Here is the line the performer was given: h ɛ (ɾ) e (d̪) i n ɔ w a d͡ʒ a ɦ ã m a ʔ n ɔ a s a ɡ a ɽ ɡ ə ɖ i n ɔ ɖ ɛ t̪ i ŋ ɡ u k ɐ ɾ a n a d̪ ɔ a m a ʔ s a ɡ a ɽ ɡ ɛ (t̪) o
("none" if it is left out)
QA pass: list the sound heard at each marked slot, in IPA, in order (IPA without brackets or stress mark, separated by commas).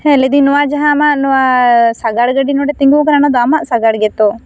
l, d̪, t̪